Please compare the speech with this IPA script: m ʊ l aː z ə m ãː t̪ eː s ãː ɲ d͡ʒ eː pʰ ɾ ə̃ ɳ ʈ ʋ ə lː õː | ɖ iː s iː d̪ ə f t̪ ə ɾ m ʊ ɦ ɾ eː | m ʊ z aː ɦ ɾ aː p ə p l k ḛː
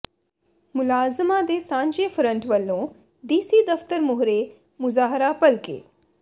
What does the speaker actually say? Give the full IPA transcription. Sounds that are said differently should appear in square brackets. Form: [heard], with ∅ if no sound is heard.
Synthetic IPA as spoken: m ʊ l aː z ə m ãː [d̪] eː s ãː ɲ d͡ʒ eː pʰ ɾ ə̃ ɳ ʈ ʋ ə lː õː | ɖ iː s iː d̪ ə f t̪ ə ɾ m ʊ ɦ ɾ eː | m ʊ z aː ɦ ɾ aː p ə [∅] l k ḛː